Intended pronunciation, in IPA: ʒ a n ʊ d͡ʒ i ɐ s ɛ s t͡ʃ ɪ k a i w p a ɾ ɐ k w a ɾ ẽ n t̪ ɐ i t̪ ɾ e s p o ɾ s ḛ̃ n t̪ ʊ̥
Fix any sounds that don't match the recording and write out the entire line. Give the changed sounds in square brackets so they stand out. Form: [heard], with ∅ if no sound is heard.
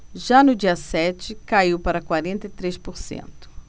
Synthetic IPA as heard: ʒ a n ʊ d͡ʒ i ɐ s ɛ [∅] t͡ʃ ɪ k a i w p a ɾ ɐ k w a ɾ ẽ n t̪ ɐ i t̪ ɾ e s p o ɾ s ḛ̃ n t̪ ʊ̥

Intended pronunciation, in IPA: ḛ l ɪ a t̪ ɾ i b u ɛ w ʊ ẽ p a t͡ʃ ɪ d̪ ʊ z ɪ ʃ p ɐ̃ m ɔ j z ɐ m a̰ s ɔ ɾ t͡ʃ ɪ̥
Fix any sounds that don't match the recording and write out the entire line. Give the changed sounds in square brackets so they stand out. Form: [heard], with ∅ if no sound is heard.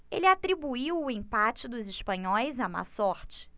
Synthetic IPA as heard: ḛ l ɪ a t̪ ɾ i b u [i] w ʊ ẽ p a t͡ʃ ɪ d̪ ʊ z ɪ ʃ p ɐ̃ [ɲ] ɔ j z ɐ m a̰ s ɔ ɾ t͡ʃ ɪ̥

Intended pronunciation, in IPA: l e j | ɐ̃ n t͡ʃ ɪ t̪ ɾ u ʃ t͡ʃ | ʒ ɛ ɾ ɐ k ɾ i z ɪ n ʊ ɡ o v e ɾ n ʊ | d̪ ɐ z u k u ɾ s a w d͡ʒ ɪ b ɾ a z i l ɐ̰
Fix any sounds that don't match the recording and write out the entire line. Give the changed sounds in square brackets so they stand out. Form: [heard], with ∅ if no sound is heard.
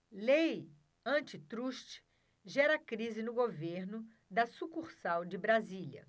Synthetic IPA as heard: l e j | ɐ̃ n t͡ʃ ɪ t̪ ɾ u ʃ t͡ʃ | ʒ ɛ ɾ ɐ k ɾ i z ɪ n ʊ ɡ o v e ɾ n ʊ | d̪ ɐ [s] u k u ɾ s a w d͡ʒ ɪ b ɾ a z i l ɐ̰

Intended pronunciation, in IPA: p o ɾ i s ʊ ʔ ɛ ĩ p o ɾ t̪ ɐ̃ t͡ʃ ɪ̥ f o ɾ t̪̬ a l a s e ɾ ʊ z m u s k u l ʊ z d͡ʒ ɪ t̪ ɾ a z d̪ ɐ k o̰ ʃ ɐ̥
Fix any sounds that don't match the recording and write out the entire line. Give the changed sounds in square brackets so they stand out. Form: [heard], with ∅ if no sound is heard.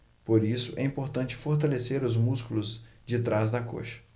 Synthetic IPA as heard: p o ɾ i s ʊ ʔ ɛ ĩ p o ɾ t̪ ɐ̃ t͡ʃ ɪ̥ f o ɾ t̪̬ a l [e] s e ɾ ʊ z m u s k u l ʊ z d͡ʒ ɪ t̪ ɾ a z d̪ ɐ k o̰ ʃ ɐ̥

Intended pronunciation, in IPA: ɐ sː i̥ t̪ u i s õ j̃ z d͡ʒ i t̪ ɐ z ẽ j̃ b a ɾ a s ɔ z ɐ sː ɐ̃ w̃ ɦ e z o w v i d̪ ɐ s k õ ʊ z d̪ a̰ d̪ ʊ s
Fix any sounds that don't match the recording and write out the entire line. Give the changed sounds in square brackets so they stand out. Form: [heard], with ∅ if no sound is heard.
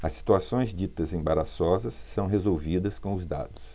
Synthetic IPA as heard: ɐ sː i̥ t̪ u [a] s õ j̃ z d͡ʒ i t̪ ɐ z ẽ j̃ b a ɾ a s ɔ z ɐ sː ɐ̃ w̃ ɦ e z o w v i d̪ ɐ s k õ ʊ z d̪ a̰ d̪ ʊ s

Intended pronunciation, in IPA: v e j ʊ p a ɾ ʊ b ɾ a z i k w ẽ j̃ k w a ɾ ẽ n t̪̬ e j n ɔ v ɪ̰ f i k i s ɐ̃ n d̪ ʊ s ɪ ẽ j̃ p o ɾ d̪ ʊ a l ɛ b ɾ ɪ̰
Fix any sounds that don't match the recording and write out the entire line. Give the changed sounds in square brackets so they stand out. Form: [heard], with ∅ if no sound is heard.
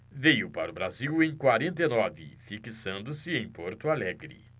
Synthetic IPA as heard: v e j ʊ p a ɾ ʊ b ɾ a z i [∅] w ẽ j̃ k w a ɾ ẽ n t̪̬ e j n ɔ v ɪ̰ f i k i s ɐ̃ n d̪ ʊ s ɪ ẽ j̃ p o ɾ [t̪] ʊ a l ɛ [ɡ] ɾ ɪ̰

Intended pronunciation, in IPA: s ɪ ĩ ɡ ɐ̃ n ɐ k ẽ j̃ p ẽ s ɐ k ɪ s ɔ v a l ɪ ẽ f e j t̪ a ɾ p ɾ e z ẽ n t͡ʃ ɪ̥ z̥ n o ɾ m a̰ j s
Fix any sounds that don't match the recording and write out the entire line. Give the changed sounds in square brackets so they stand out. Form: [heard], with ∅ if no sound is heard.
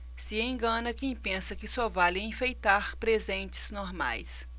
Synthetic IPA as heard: s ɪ [ẽ] ɡ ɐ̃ n ɐ k ẽ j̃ p ẽ s ɐ k ɪ s ɔ v a l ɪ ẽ f e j t̪ a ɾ p ɾ e z ẽ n t͡ʃ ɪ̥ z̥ n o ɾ m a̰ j s

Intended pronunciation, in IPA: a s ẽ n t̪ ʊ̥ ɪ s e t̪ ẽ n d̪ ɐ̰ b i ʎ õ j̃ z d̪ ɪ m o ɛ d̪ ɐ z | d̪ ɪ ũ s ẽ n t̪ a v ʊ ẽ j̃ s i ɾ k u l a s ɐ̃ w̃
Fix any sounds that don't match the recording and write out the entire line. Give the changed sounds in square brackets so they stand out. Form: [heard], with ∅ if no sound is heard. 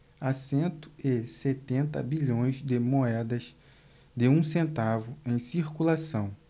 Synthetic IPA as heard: a s ẽ n t̪ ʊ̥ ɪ s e t̪ ẽ n [t̪] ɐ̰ b i ʎ õ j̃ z d̪ ɪ m o ɛ d̪ ɐ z | d̪ ɪ ũ s ẽ n t̪ a v ʊ ẽ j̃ s i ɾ k u l a s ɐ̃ w̃

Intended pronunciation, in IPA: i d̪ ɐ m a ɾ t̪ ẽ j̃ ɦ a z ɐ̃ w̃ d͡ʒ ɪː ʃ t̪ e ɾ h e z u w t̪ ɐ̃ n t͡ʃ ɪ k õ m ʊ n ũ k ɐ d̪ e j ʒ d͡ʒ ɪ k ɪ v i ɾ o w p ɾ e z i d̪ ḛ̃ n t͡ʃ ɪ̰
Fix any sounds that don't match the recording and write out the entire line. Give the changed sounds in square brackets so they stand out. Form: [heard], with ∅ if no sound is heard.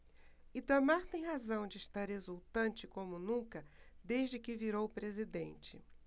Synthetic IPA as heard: i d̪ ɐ m a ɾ t̪ ẽ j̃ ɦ a z ɐ̃ w̃ d͡ʒ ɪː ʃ t̪ [a] ɾ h e z u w t̪ ɐ̃ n t͡ʃ ɪ k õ m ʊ n ũ k ɐ d̪ e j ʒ d͡ʒ ɪ k ɪ v i ɾ o w p ɾ e z i d̪ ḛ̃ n t͡ʃ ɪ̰

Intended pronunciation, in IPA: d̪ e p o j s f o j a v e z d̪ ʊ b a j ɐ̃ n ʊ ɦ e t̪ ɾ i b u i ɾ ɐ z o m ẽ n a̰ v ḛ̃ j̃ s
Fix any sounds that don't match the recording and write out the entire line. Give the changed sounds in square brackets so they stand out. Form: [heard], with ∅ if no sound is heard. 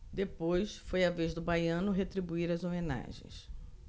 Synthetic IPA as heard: d̪ e p o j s f o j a v e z d̪ ʊ b a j ɐ̃ n ʊ ɦ e t̪ ɾ i b u i ɾ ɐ z o m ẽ n a̰ [ʒ] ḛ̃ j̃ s

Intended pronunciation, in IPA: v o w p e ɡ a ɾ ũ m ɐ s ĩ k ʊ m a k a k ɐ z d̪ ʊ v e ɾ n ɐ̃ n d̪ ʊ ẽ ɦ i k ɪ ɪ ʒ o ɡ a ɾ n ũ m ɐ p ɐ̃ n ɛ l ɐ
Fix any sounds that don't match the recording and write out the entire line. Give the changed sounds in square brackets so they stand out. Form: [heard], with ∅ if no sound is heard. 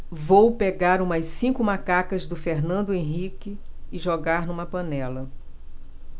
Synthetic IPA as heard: v o w p e ɡ a ɾ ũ m ɐ s ĩ k ʊ m a k a k ɐ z d̪ ʊ [f] e ɾ n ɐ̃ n d̪ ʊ ẽ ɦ i k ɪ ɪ ʒ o ɡ a ɾ n ũ m ɐ p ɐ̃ n ɛ l ɐ

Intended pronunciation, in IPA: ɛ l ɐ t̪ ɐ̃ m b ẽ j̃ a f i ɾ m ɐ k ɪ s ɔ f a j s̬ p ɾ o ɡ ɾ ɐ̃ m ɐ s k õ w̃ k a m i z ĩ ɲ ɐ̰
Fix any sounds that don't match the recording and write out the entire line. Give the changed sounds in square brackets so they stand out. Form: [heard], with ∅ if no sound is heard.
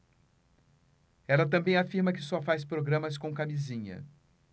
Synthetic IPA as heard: ɛ l ɐ t̪ ɐ̃ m b ẽ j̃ a f i ɾ m ɐ k ɪ s ɔ f a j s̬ p ɾ o ɡ ɾ ɐ̃ m ɐ s k õ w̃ k a m i z ĩ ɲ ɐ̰

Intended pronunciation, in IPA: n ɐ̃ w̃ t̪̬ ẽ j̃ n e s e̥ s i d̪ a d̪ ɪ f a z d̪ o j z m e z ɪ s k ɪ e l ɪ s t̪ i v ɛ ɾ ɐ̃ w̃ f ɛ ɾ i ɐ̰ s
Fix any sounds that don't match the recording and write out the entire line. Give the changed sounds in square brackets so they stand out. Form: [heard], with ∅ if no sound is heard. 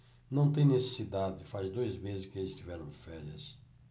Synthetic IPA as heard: n ɐ̃ w̃ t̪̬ ẽ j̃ n e s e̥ s i d̪ a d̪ ɪ f a z d̪ o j z m e z ɪ s k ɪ e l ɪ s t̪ i v ɛ ɾ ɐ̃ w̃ f ɛ ɾ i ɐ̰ s

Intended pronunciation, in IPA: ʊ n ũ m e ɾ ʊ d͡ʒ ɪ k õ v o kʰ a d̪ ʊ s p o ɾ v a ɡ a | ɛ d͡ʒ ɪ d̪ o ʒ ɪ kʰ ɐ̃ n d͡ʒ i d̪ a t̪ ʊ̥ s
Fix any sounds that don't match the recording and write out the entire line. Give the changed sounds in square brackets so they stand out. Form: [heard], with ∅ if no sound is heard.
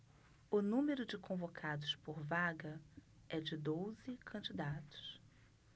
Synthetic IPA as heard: ʊ n ũ m e ɾ ʊ d͡ʒ ɪ k õ v o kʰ a d̪ ʊ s p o ɾ v a ɡ [ɐ] | ɛ d͡ʒ ɪ d̪ o [z] ɪ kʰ ɐ̃ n d͡ʒ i d̪ a t̪ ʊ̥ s

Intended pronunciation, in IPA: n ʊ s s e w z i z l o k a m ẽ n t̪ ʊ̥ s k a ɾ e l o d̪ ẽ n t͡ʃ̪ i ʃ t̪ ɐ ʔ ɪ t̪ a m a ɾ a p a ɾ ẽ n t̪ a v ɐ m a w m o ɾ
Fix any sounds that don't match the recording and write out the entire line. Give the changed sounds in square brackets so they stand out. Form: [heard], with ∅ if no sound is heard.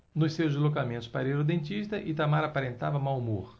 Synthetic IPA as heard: n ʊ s s e w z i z l o k a m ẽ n t̪ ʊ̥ s [p] a ɾ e [ɾ] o d̪ ẽ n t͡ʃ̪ i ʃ t̪ ɐ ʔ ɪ t̪ a m a ɾ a p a ɾ ẽ n t̪ a v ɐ m a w m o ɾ

